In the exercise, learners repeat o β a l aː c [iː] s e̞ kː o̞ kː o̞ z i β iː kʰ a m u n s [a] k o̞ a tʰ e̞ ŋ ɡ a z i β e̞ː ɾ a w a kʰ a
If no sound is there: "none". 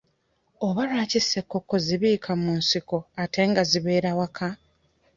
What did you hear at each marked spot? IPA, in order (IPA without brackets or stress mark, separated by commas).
i, i